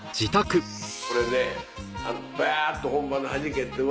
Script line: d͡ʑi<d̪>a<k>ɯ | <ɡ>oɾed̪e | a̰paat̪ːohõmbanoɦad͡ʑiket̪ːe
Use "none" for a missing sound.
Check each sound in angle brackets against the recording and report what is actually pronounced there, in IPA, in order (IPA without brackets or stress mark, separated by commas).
t̪, k, k